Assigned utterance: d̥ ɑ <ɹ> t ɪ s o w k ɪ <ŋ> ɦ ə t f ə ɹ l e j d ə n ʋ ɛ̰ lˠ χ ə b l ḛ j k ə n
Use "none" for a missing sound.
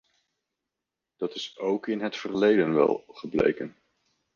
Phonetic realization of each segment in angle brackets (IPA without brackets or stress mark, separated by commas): none, n